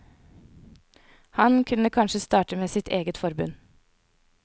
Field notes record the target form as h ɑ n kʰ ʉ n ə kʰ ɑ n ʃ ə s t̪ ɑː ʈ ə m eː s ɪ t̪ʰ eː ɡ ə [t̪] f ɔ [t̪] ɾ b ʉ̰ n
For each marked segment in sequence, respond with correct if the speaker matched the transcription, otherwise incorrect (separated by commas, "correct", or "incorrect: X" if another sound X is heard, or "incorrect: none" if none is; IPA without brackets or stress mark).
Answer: correct, incorrect: none